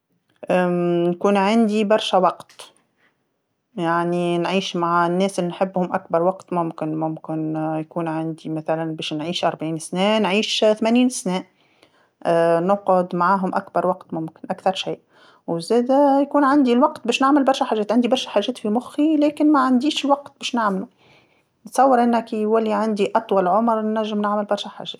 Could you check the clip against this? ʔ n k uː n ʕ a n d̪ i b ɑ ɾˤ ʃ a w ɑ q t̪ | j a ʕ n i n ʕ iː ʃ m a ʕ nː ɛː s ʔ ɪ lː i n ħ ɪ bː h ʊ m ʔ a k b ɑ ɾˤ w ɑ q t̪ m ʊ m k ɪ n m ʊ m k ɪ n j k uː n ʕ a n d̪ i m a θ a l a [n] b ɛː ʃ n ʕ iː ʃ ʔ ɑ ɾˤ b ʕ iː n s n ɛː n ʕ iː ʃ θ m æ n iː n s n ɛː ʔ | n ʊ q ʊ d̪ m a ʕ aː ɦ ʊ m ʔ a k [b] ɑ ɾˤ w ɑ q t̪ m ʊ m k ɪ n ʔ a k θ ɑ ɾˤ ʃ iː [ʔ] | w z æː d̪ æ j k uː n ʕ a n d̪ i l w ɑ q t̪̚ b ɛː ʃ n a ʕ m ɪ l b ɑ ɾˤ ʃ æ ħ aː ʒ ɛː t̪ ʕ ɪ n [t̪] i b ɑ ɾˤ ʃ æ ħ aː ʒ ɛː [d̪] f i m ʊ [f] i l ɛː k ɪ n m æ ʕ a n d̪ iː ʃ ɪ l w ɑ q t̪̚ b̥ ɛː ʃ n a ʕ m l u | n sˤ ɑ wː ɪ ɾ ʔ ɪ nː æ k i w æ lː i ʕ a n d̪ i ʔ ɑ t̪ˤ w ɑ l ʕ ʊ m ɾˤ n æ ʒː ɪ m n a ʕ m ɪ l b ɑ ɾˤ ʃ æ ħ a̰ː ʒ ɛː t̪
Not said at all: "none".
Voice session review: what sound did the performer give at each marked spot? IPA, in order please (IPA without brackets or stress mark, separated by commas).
n, b, ʔ, d̪, t̪, x